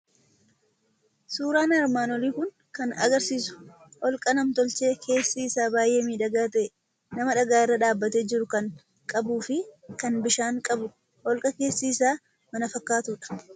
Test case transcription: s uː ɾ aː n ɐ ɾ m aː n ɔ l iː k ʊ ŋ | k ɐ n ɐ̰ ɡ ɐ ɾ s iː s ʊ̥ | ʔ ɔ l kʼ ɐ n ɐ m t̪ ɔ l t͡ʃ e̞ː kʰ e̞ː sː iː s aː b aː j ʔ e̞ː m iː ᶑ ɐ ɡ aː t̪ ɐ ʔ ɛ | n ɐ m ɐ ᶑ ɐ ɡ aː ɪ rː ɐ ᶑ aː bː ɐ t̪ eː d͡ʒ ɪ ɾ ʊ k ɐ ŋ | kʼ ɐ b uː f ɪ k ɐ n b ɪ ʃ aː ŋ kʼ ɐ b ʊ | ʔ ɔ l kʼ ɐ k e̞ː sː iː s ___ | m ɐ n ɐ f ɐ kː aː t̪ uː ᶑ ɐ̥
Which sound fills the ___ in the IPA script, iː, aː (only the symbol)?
aː